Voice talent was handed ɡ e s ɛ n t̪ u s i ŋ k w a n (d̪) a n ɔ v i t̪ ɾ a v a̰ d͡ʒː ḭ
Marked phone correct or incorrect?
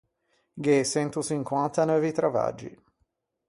incorrect